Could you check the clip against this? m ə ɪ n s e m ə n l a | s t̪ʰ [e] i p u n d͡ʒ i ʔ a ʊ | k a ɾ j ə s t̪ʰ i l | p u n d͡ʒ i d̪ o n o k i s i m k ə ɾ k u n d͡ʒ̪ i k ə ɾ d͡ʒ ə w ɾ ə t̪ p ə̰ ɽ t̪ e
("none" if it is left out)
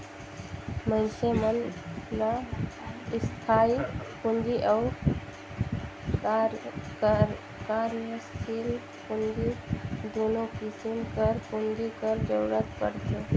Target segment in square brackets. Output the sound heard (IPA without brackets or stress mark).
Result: a